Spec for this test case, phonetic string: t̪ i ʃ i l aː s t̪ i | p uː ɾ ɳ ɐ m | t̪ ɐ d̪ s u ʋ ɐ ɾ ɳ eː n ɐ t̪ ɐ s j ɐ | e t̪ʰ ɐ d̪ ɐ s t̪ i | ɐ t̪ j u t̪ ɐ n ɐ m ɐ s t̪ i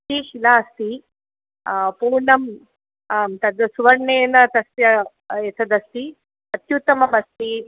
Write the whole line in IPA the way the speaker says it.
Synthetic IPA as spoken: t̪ i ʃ i l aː s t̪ i | p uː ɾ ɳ ɐ m | t̪ ɐ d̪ s u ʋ ɐ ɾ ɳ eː n ɐ t̪ ɐ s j ɐ | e t̪ʰ ɐ d̪ ɐ s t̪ i | ɐ t̪ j u t̪ ɐ m ɐ m ɐ s t̪ i